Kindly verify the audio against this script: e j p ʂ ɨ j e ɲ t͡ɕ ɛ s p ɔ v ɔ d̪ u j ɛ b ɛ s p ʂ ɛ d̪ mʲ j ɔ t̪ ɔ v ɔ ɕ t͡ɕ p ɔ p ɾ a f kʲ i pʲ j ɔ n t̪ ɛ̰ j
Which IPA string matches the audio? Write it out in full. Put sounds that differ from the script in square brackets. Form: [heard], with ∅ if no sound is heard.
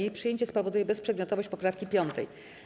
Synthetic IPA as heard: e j p ʂ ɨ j e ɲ t͡ɕ ɛ s p ɔ v ɔ d̪ u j ɛ b ɛ s p ʂ ɛ d̪ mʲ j ɔ t̪ ɔ v ɔ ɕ t͡ɕ p ɔ p ɾ a f kʲ i pʲ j ɔ n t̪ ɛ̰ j